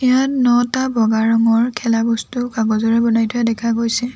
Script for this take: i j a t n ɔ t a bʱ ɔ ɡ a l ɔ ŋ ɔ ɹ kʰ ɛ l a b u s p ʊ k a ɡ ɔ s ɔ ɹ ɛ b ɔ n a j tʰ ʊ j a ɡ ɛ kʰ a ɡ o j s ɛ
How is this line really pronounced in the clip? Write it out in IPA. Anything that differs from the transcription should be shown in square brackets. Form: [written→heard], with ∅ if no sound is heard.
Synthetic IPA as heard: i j a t n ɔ t a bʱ ɔ ɡ a [l→ɹ] ɔ ŋ ɔ ɹ kʰ ɛ l a b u s [p→t] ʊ k a ɡ ɔ [s→z] ɔ ɹ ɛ b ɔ n a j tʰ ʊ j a [ɡ→d] ɛ kʰ a ɡ o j s ɛ